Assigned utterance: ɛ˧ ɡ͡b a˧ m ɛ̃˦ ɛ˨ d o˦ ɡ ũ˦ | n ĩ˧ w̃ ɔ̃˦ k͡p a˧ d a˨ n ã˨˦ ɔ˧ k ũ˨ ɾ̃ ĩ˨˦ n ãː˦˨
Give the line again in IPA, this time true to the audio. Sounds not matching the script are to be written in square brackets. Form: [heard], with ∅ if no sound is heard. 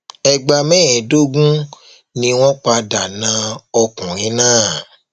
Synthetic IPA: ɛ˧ ɡ͡b a˧ m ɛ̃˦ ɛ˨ d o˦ ɡ ũ˦ | n ĩ˧ w̃ ɔ̃˦ k͡p a˧ d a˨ n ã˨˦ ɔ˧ k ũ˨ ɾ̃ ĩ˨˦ n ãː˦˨